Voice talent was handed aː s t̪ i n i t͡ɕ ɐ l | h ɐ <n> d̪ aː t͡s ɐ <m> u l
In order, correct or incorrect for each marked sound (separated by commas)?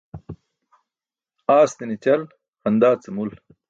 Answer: correct, correct